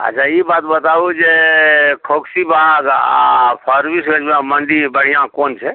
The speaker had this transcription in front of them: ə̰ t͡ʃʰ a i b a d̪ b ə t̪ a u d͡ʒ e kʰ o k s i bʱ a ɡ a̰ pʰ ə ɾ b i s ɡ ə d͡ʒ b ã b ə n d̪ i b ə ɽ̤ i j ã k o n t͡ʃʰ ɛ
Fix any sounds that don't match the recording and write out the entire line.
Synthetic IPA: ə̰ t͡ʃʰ a i b a t̪ b ə t̪ a u d͡ʒ e kʰ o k s i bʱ a ɡ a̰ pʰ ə ɾ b i s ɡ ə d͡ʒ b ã m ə n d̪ i b ə ɽ̤ i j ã k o n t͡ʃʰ ɛ